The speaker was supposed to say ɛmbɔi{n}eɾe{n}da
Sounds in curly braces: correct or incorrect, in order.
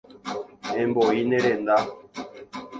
correct, correct

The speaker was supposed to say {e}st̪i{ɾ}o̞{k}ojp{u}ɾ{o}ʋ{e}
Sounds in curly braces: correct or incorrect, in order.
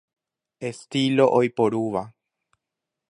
correct, incorrect: l, incorrect: ʔ, incorrect: o, incorrect: u, incorrect: a

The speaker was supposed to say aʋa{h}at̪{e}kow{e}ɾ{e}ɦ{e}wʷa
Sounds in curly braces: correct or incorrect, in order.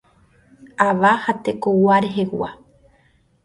correct, correct, incorrect: a, correct, correct

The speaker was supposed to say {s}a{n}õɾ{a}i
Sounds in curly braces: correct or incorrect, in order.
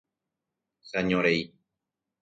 correct, incorrect: ɲ, incorrect: e

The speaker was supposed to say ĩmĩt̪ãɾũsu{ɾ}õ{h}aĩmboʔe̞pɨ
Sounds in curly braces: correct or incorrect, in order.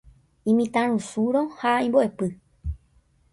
correct, correct

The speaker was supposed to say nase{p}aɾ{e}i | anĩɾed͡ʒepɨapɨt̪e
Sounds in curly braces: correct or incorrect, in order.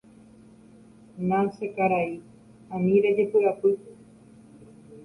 incorrect: k, incorrect: a

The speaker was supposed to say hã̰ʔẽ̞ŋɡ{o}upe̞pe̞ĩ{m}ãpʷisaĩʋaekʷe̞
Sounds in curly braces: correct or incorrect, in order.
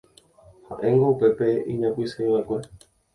correct, incorrect: ɲ

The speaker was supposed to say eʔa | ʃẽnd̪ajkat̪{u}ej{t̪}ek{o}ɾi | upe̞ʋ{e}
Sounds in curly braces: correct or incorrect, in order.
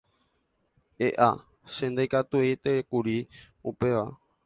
correct, correct, incorrect: u, incorrect: a

